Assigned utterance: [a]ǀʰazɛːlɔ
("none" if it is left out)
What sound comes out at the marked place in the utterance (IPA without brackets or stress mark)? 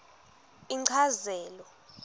i